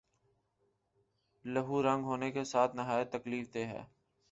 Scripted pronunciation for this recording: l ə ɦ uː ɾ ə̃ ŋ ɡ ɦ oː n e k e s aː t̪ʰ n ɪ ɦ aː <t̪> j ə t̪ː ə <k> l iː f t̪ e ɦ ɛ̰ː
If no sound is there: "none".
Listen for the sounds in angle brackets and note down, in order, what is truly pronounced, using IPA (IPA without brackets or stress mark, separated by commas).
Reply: none, k